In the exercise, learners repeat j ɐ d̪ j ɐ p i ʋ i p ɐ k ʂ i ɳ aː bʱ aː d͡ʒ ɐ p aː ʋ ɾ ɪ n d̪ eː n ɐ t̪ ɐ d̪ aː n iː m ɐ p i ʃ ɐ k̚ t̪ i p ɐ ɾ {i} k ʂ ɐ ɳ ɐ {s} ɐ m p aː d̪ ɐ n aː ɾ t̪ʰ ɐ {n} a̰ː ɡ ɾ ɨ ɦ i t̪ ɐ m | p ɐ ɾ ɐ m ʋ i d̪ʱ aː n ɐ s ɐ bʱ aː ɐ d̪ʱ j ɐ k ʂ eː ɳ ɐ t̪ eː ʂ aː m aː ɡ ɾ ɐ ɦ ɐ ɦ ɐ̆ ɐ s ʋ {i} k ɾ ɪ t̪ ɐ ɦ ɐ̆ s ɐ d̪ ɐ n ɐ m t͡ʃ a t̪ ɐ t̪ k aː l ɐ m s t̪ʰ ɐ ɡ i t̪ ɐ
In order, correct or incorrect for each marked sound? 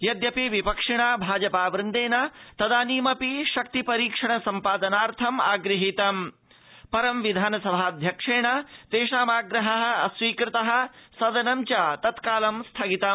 incorrect: iː, correct, incorrect: m, incorrect: iː

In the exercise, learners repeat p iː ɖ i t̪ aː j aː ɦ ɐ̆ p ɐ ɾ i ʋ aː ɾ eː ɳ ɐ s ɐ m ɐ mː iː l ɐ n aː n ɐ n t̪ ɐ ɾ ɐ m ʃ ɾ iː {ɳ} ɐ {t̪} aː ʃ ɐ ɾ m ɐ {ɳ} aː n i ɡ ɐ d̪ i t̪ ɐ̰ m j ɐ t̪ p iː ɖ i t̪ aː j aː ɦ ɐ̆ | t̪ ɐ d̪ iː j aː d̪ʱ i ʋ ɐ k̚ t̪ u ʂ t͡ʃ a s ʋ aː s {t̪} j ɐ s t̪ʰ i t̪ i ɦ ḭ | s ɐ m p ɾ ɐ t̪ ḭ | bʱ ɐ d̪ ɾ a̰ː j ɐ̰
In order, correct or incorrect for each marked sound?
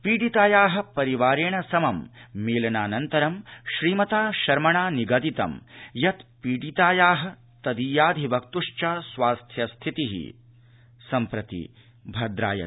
incorrect: m, correct, correct, incorrect: t̪ʰ

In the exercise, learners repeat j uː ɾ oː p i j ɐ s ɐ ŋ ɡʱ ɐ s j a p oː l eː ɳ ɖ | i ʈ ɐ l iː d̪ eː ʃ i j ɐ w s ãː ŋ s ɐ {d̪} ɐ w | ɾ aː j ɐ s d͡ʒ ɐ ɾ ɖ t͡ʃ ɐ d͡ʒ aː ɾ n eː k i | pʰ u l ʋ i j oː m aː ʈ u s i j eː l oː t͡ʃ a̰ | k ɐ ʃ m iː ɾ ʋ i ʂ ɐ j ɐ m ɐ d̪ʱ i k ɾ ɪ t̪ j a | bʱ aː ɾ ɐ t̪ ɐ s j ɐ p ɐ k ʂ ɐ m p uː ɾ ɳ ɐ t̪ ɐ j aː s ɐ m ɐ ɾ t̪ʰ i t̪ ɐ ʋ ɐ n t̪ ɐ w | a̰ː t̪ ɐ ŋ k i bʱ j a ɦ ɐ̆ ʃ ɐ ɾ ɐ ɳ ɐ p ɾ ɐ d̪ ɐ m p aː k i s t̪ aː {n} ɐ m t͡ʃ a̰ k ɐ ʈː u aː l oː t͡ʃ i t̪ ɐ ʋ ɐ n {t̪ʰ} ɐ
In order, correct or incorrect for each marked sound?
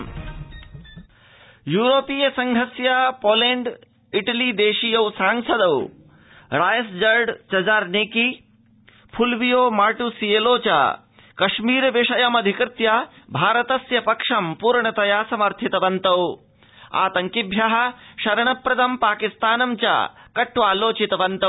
correct, correct, incorrect: t̪

